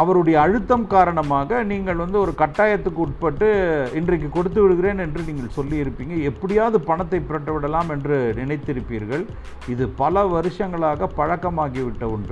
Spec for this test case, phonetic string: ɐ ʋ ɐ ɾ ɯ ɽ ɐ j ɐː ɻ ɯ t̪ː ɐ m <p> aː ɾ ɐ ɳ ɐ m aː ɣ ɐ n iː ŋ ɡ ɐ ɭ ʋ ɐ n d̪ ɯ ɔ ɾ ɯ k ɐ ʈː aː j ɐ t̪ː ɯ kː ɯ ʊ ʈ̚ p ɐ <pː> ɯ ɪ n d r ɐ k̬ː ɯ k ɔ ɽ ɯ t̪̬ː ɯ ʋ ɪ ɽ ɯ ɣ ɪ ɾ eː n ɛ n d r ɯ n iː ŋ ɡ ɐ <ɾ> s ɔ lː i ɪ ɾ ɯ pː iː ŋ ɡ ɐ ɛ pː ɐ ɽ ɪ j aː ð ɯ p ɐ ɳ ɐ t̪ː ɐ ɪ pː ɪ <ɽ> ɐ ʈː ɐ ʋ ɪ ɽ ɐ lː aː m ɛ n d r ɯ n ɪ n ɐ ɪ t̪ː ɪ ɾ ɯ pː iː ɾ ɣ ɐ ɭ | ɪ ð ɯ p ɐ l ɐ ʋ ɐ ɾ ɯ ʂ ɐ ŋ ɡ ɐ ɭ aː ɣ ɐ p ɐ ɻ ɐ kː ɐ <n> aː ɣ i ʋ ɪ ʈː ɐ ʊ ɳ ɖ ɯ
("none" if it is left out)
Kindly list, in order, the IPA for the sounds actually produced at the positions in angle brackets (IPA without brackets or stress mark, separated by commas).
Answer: k, ʈː, ɭ, ɾ, m